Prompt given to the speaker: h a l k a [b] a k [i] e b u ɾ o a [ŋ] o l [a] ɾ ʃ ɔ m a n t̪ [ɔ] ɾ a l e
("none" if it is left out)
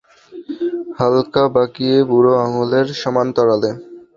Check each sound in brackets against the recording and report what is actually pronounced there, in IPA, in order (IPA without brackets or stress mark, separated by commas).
b, i, ŋ, e, ɔ